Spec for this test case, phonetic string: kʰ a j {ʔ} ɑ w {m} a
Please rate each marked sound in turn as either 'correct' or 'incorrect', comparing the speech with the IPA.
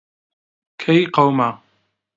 incorrect: q, correct

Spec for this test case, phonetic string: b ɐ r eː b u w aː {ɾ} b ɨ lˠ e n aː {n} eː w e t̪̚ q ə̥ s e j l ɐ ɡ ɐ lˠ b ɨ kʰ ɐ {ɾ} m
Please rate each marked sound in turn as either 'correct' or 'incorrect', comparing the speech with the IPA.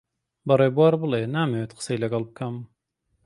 correct, incorrect: m, incorrect: none

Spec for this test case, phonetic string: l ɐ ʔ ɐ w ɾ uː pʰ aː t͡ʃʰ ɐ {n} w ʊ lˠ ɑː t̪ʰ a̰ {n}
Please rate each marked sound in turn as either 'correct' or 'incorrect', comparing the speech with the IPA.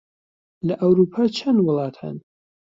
correct, correct

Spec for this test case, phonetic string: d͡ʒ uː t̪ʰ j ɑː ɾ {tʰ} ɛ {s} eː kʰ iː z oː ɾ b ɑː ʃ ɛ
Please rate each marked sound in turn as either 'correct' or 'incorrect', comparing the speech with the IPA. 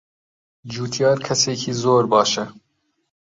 incorrect: kʰ, correct

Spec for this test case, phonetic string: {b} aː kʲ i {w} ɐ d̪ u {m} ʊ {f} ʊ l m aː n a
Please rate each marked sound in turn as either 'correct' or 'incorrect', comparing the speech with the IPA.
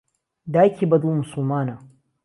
incorrect: d, incorrect: b, correct, incorrect: s

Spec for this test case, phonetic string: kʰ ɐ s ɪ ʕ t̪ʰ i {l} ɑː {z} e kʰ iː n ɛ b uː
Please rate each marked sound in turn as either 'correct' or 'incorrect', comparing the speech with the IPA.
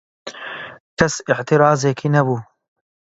incorrect: ɾ, correct

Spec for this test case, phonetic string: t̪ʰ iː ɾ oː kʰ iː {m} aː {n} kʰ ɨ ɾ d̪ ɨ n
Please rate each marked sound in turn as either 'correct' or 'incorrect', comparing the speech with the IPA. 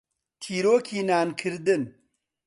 incorrect: n, correct

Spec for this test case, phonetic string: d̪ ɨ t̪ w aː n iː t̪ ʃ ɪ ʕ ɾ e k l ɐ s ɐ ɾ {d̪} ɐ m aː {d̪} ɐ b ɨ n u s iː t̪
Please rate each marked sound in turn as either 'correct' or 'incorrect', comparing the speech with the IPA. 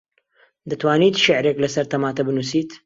incorrect: t̪, incorrect: t̪

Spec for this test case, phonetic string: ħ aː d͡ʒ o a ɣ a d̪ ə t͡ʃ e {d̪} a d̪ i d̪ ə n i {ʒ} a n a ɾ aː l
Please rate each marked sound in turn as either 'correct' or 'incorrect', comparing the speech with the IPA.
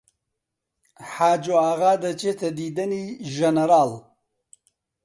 incorrect: t̪, correct

